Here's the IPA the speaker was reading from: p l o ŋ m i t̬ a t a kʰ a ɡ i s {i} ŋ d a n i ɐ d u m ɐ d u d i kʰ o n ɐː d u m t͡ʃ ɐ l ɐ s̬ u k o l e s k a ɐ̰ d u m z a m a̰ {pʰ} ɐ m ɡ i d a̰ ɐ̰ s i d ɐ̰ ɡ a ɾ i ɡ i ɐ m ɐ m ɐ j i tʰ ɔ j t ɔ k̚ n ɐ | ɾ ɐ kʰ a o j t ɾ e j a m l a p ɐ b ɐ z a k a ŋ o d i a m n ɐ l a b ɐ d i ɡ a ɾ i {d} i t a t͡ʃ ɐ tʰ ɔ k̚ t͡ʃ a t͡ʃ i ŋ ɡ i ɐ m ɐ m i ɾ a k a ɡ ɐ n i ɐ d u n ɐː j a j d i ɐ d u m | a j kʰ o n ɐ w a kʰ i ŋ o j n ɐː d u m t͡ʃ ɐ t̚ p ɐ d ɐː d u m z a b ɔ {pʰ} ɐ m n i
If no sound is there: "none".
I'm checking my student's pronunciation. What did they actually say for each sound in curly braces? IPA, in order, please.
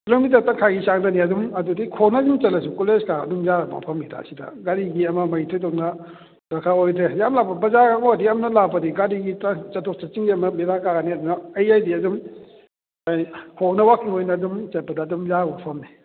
a, pʰ, ɡ, pʰ

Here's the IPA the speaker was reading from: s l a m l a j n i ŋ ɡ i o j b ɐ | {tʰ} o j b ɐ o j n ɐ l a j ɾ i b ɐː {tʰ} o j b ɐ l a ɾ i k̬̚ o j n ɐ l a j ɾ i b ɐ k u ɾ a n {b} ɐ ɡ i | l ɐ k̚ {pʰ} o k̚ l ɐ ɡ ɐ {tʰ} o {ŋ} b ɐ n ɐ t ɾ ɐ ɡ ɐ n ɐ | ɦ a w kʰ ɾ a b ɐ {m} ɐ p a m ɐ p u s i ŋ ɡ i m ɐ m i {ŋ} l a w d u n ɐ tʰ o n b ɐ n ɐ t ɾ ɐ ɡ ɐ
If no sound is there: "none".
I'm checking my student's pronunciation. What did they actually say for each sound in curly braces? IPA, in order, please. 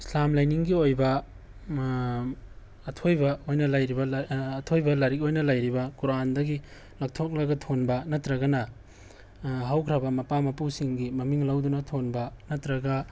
tʰ, tʰ, d, tʰ, tʰ, n, m, ŋ

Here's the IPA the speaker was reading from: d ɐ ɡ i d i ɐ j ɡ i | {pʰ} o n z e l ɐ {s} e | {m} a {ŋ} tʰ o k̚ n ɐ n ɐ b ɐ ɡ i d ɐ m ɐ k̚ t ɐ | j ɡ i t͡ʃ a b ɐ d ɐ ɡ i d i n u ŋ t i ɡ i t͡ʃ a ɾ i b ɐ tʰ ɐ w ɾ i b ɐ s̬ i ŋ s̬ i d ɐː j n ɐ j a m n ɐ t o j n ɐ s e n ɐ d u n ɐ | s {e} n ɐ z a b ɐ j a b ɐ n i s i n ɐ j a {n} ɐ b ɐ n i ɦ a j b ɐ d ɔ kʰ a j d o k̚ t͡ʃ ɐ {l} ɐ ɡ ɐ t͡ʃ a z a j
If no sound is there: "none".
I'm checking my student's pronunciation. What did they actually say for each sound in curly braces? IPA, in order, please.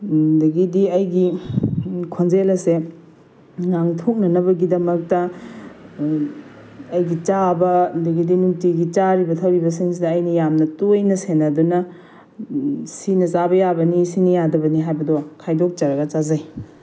kʰ, s, ŋ, ŋ, i, d, ɾ

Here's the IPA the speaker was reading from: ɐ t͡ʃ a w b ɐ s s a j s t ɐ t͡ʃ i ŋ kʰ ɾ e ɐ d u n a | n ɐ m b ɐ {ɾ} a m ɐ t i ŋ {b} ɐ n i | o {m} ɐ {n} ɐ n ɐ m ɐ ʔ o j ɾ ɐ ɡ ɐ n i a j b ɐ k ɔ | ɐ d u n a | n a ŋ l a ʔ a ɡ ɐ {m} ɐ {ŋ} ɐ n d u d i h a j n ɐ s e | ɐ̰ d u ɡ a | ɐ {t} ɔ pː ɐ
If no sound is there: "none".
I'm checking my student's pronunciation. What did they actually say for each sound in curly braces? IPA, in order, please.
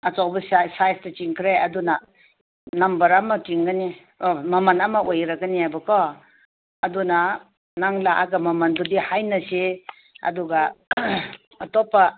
ɾ, ɡ, m, m, m, m, t

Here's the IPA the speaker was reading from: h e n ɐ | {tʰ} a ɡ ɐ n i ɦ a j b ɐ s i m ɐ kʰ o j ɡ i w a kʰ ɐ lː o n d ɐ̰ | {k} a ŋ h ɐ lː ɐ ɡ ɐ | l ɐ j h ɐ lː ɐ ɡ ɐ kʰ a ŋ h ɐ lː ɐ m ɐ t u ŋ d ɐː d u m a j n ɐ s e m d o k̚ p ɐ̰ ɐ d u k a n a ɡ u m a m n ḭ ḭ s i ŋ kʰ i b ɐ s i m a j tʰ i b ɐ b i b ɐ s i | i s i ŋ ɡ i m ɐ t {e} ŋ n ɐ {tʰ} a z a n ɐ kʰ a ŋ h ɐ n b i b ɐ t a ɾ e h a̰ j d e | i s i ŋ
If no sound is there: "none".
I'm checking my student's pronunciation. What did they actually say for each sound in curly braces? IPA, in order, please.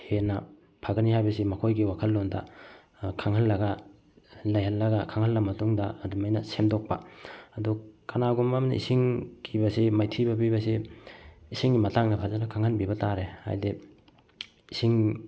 pʰ, kʰ, a, pʰ

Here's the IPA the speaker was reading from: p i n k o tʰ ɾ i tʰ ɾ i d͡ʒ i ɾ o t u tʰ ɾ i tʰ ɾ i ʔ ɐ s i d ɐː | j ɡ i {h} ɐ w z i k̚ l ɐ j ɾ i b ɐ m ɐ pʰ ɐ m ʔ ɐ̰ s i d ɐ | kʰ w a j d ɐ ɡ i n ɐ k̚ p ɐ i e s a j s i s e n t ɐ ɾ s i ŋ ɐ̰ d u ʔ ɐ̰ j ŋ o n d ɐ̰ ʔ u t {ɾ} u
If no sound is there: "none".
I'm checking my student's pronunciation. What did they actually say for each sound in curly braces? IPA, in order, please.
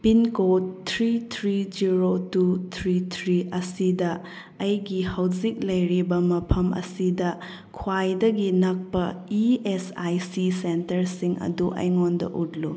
h, l

